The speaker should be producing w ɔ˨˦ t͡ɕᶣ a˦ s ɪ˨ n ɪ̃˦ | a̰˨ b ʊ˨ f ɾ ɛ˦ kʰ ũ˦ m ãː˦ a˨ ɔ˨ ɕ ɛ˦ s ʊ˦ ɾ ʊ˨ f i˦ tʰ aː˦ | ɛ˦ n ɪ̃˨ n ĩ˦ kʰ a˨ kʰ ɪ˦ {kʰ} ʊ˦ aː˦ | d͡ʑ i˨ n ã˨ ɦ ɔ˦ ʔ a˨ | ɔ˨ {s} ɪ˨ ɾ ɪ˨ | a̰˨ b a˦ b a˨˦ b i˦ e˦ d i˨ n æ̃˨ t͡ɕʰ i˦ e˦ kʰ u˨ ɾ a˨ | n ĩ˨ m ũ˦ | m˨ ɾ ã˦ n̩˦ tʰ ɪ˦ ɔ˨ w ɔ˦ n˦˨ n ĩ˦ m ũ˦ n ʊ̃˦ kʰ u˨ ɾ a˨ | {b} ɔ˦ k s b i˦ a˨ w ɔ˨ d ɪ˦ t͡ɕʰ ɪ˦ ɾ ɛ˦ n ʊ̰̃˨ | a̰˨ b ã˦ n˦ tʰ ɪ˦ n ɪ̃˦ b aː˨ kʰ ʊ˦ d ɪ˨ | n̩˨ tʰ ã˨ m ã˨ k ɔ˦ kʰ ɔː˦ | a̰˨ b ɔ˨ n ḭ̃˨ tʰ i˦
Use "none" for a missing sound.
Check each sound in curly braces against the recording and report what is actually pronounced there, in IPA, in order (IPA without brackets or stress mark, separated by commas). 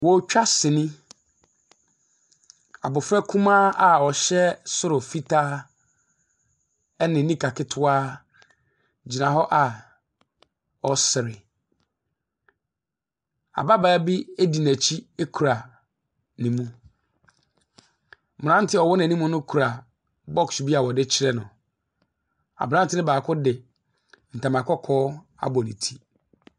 tʰ, s, b